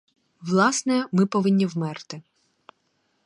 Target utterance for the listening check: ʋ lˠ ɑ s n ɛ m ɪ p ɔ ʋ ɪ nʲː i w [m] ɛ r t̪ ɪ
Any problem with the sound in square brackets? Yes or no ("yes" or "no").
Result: no